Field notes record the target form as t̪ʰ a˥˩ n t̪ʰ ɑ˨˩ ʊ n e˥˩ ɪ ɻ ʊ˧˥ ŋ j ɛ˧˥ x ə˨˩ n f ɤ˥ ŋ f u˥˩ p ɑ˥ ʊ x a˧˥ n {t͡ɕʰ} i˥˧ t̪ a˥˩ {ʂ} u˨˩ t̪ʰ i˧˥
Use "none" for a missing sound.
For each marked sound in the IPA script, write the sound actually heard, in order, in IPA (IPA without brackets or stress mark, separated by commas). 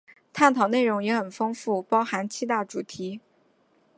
t͡ɕʰ, ʈ͡ʂ